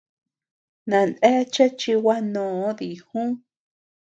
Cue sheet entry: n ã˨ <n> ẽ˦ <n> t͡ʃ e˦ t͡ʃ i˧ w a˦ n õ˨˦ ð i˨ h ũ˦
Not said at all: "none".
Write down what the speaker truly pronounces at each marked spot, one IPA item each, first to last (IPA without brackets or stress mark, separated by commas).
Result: n, none